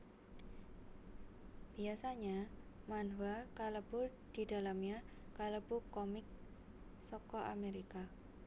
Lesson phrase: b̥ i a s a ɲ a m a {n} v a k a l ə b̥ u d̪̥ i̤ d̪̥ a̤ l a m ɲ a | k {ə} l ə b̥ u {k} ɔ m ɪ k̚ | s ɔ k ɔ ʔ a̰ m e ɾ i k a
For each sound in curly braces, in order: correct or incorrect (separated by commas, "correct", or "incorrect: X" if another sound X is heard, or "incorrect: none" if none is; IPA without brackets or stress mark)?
correct, incorrect: a, correct